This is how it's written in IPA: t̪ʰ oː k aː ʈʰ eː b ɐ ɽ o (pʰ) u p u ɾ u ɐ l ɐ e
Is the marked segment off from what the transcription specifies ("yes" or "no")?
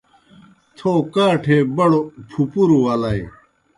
no